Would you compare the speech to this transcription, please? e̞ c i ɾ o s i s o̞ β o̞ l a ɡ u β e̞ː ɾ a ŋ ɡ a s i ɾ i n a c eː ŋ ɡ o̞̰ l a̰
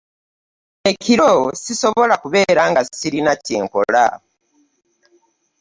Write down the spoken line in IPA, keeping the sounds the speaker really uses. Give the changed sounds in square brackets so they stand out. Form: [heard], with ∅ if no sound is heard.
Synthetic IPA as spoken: e̞ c i ɾ o s i s o̞ β o̞ l a [k] u β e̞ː ɾ a ŋ ɡ a s i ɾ i n a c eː ŋ [k] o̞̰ l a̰